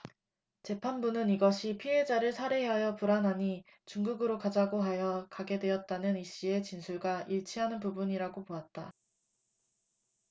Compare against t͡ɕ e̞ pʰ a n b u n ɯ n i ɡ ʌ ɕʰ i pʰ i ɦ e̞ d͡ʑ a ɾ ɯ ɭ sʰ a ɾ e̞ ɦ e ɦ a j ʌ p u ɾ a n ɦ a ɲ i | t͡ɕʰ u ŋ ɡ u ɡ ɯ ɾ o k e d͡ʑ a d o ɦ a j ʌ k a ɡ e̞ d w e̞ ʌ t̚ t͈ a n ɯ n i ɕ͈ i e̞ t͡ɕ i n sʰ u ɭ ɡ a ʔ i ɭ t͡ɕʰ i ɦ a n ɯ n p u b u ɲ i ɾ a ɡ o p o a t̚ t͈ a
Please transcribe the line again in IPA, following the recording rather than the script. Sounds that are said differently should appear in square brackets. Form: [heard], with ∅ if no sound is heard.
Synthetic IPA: t͡ɕ e̞ pʰ a n b u n ɯ n i ɡ ʌ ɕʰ i pʰ i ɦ e̞ d͡ʑ a ɾ ɯ ɭ sʰ a ɾ e̞ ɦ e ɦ a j ʌ p u ɾ a n ɦ a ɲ i | [t͡ɕ] u ŋ ɡ u ɡ ɯ ɾ o k [a] d͡ʑ a [ɡ] o ɦ a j ʌ k a ɡ e̞ d w e̞ ʌ t̚ t͈ a n ɯ n i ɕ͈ i e̞ t͡ɕ i n sʰ u ɭ ɡ a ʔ i ɭ t͡ɕʰ i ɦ a n ɯ n p u b u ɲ i ɾ a ɡ o p o a t̚ t͈ a